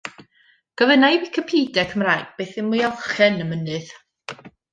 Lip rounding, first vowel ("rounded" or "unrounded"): unrounded